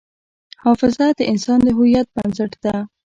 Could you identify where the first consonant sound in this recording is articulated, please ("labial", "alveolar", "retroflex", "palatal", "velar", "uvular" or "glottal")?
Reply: glottal